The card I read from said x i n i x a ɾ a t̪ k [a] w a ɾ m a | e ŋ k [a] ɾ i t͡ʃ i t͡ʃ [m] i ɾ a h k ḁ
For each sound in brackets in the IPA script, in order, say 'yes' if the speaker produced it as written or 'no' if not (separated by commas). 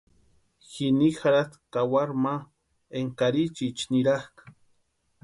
yes, yes, no